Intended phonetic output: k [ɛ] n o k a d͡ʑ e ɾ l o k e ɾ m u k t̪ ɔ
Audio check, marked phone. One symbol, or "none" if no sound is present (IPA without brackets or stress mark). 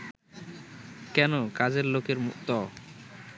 ɛ